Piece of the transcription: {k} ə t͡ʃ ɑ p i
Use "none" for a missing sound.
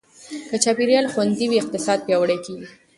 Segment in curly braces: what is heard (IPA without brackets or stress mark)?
k